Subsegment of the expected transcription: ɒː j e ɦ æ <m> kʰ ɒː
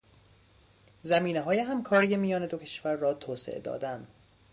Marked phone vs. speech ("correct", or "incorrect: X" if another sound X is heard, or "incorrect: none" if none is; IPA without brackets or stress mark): correct